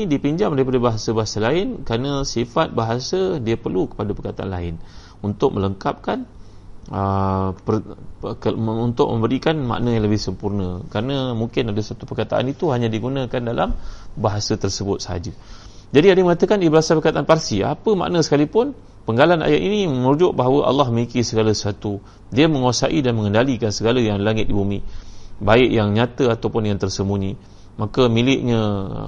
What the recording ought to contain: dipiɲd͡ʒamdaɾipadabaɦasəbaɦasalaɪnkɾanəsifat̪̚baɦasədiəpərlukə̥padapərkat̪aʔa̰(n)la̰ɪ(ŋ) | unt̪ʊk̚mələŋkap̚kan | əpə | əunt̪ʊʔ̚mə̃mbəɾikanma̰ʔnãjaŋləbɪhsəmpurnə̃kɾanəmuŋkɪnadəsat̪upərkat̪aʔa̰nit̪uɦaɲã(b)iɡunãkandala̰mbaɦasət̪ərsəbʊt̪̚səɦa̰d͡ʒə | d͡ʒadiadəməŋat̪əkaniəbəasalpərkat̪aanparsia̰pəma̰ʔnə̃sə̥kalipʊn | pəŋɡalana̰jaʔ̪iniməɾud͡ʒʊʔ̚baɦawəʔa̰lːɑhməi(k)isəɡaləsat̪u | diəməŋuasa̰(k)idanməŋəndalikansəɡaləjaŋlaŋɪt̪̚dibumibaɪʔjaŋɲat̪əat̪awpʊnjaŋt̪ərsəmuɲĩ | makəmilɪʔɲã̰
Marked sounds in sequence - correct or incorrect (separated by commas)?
correct, incorrect, incorrect, correct, incorrect